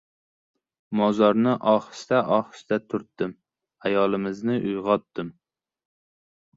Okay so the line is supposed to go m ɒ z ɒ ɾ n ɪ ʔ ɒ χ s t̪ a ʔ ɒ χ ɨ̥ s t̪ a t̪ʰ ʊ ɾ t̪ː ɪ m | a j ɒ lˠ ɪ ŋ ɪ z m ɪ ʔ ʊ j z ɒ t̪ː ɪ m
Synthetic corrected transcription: m ɒ z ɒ ɾ n ɪ ʔ ɒ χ s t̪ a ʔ ɒ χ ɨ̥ s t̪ a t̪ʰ ʊ ɾ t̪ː ɪ m | a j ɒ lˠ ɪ m ɪ z n ɪ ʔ ʊ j ʁ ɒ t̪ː ɪ m